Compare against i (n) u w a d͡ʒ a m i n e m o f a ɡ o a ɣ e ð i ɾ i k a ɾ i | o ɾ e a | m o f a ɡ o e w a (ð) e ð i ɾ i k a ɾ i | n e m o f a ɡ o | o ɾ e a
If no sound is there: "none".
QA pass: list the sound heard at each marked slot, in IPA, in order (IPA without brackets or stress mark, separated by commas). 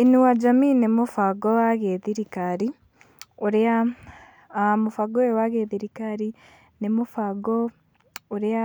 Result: n, ɣ